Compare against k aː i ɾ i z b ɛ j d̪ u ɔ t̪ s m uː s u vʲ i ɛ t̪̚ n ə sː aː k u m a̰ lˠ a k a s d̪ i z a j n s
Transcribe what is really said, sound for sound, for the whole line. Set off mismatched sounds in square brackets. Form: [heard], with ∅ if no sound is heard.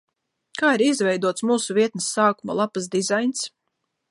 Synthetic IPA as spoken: k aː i ɾ i z [v] ɛ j d̪ u ɔ t̪ s m uː s u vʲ i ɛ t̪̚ n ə sː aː k u m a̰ lˠ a [p] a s d̪ i z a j n s